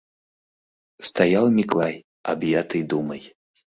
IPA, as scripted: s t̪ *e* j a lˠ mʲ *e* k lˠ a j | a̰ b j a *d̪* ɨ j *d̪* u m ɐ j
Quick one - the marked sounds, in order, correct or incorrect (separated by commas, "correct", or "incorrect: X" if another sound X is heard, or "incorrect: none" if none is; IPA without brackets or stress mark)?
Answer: incorrect: a, incorrect: i, incorrect: t̪, correct